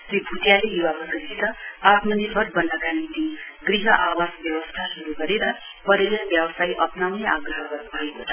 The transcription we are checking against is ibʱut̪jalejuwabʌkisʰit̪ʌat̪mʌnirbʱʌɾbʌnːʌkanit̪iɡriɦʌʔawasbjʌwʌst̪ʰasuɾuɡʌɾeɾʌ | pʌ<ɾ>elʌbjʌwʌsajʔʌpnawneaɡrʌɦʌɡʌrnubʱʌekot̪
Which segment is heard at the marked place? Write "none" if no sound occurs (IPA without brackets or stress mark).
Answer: ɾ